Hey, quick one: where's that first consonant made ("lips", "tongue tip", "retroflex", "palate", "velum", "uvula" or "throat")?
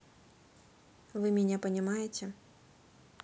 lips